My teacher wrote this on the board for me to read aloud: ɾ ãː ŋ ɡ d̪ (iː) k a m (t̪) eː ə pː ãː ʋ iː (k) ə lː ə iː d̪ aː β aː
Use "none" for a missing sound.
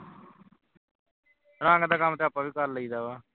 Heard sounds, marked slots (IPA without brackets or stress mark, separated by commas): aː, t̪, k